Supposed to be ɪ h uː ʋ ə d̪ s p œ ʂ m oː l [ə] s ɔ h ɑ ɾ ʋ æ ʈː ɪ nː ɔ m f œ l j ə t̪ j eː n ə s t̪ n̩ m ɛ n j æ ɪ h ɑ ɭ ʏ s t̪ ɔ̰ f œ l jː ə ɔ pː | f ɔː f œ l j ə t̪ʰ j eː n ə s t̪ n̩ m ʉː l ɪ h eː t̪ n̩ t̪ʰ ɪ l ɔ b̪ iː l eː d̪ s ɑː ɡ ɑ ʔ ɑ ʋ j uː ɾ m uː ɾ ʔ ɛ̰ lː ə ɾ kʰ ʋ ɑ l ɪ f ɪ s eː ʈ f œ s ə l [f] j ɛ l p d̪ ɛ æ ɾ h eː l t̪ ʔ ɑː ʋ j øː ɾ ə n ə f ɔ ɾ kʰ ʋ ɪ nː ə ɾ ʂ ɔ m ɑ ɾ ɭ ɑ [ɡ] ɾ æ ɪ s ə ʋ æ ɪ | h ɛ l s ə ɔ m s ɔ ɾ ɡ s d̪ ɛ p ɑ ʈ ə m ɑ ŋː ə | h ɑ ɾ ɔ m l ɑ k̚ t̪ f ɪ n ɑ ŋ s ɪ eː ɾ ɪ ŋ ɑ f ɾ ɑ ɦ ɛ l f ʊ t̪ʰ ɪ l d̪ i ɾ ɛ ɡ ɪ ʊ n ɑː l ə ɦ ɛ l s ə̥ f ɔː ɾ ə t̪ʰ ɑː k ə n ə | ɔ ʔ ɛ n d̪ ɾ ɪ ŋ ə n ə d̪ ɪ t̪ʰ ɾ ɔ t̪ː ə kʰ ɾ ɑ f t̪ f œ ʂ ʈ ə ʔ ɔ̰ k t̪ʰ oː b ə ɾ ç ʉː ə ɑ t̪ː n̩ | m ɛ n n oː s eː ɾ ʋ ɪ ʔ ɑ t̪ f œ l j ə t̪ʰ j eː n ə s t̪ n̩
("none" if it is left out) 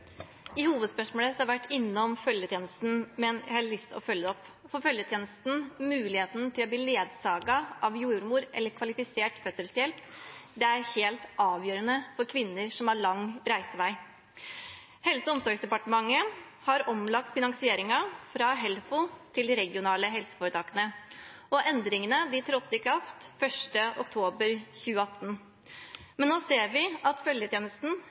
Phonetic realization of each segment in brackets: ə, s, ŋ

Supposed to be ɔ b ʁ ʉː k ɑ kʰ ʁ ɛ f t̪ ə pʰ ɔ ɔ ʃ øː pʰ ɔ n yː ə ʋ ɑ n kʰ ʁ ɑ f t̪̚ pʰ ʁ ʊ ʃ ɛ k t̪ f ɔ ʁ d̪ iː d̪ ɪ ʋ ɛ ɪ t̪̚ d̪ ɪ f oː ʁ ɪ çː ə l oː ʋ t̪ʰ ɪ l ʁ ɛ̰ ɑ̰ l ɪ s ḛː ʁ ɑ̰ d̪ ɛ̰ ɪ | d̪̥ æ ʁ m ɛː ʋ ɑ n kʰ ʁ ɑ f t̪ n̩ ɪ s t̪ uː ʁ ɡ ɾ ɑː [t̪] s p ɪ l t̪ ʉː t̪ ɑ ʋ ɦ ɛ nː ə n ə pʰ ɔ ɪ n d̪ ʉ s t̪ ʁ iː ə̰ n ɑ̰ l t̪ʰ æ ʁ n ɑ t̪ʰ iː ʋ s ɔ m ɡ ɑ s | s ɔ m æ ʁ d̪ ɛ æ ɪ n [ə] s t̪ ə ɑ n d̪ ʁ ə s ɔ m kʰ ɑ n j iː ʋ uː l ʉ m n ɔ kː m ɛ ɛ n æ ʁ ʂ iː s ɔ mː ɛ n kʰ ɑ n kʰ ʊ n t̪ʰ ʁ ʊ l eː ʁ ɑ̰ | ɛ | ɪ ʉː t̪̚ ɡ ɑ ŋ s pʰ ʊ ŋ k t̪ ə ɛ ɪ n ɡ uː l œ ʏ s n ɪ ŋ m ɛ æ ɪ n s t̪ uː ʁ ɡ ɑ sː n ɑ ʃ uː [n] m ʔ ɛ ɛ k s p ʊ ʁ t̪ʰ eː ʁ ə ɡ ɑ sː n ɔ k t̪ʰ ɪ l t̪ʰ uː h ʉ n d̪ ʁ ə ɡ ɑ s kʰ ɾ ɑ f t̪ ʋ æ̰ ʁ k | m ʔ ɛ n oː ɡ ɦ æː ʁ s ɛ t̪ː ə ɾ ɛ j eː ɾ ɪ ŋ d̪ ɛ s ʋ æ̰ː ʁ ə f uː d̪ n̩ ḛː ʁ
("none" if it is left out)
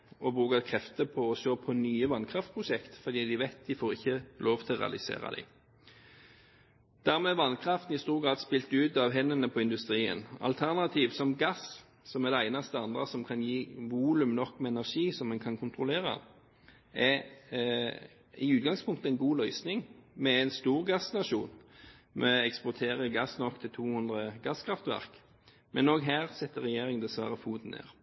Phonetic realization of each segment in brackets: d̪, ɑ, n

